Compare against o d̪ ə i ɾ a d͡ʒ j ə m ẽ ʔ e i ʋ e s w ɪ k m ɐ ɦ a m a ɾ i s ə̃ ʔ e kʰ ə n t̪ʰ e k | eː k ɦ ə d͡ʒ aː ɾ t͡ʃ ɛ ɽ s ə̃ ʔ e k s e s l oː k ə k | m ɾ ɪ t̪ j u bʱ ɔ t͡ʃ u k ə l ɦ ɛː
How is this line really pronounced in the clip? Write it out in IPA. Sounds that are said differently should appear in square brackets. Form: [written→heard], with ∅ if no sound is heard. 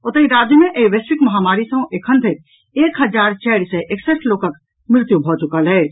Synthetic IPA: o [d̪→t̪] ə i ɾ a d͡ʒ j ə m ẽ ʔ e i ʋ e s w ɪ k m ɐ ɦ a m a ɾ i s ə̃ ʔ e kʰ ə n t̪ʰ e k | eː k ɦ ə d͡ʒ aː ɾ t͡ʃ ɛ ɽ s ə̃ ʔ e k s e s l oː k ə k | m ɾ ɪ t̪ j u bʱ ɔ t͡ʃ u k ə l ɦ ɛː